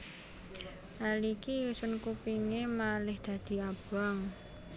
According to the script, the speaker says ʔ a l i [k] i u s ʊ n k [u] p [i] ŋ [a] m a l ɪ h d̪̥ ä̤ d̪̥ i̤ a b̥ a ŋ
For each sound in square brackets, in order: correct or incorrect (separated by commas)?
correct, correct, correct, incorrect